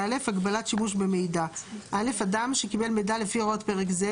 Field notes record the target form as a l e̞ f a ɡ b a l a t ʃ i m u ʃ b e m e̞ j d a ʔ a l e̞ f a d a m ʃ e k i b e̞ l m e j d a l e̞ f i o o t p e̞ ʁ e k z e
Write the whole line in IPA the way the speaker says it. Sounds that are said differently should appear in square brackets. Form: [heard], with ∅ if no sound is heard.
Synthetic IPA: a l e̞ f a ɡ b a l a t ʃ i m u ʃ b e m e̞ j d a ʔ a l e̞ f a d a m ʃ e k i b e̞ l m e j d a l e̞ f i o o t p e̞ ʁ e k z e